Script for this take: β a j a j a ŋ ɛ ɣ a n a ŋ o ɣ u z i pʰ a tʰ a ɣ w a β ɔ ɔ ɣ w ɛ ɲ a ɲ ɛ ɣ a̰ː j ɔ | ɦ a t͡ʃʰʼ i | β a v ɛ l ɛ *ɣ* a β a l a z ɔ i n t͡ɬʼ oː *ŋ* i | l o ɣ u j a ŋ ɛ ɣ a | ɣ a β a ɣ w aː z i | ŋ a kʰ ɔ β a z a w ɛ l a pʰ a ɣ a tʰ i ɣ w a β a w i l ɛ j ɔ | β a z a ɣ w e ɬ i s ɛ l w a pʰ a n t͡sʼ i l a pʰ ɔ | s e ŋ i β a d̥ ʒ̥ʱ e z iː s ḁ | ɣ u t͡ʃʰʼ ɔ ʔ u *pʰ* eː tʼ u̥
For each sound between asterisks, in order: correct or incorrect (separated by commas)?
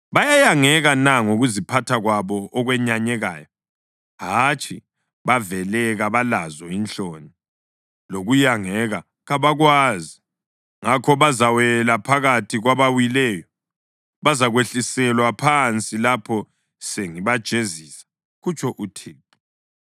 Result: correct, incorrect, incorrect